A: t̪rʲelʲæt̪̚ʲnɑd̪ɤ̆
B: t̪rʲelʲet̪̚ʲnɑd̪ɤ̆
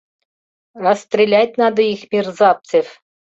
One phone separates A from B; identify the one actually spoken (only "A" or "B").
A